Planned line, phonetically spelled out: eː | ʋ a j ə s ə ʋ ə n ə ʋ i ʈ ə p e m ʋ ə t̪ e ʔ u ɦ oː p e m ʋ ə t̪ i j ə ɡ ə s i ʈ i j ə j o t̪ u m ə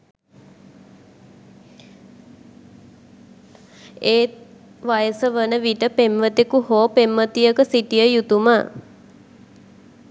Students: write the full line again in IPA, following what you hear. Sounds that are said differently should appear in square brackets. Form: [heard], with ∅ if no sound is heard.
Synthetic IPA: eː | ʋ a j ə s ə ʋ ə n ə ʋ i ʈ ə p e m ʋ ə t̪ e [k] u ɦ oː p e m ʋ ə t̪ i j ə [k] ə s i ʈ i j ə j [u] t̪ u m ə